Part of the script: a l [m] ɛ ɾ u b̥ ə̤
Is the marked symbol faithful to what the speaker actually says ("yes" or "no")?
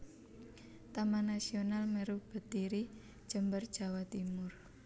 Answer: yes